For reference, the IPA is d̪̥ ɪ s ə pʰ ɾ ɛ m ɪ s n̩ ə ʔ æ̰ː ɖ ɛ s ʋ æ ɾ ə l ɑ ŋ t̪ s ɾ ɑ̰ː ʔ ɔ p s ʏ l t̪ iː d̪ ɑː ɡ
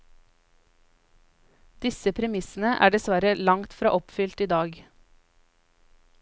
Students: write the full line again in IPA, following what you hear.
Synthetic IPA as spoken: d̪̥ ɪ s ə pʰ ɾ ɛ m ɪ s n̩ ə ʔ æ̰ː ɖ ɛ s ʋ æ ɾ ə l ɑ ŋ t̪ f ɾ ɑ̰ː ʔ ɔ p f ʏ l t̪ iː d̪ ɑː ɡ